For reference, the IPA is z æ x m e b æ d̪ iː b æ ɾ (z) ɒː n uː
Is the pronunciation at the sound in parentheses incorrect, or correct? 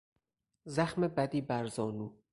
correct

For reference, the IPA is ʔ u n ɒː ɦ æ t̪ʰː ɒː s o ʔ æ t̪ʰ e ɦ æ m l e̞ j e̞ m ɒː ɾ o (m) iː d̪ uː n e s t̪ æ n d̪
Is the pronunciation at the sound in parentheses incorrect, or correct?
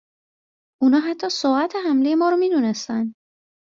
correct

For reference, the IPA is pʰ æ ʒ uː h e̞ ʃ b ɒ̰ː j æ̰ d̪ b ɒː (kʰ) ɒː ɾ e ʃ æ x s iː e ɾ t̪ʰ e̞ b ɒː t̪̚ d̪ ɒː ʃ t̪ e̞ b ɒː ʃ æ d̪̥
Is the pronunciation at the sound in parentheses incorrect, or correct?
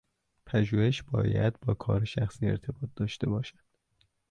correct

